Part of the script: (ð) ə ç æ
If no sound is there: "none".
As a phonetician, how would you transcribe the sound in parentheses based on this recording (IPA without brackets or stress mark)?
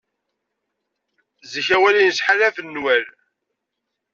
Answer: z